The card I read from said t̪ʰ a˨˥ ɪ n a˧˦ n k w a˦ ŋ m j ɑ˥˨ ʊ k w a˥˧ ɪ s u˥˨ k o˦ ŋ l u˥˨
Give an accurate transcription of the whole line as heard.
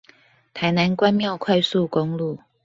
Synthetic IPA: t̪ʰ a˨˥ ɪ n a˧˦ n k w a˦ n m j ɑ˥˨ ʊ kʰ w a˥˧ ɪ s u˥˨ k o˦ ŋ l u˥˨